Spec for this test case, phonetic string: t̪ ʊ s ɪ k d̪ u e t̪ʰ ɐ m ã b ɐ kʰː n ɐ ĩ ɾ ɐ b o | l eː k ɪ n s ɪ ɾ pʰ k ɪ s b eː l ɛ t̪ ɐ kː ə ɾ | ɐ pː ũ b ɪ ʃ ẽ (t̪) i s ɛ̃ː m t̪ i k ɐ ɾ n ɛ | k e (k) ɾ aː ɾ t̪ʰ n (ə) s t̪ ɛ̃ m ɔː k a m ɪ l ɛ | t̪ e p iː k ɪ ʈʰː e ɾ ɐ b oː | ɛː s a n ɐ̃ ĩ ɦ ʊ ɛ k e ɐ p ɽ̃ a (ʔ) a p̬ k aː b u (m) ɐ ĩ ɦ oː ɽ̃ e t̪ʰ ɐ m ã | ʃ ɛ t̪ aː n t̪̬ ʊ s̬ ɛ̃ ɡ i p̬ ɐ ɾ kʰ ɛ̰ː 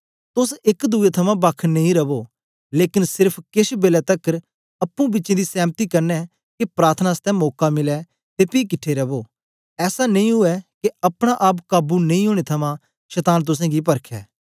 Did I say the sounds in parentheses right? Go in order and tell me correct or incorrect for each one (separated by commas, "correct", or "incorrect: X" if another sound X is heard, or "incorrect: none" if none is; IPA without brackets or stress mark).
incorrect: d̪, incorrect: p, incorrect: a, correct, incorrect: n